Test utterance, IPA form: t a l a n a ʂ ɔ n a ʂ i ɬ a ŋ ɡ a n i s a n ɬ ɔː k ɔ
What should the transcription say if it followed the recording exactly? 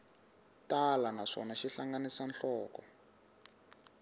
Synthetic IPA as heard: t a l a n a ʂ ɔ n a ʃ i ɬ a ŋ ɡ a n i s a n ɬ ɔː k ɔ